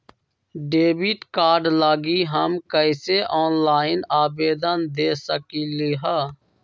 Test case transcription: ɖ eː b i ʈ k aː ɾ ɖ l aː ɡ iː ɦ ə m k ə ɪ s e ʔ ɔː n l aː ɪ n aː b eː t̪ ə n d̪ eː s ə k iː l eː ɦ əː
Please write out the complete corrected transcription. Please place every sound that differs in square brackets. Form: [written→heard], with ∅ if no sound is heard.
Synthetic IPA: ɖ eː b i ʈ k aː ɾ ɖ l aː ɡ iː ɦ ə m k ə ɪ s e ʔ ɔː n l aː ɪ n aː b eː [t̪→d̪] ə n d̪ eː s ə k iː l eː ɦ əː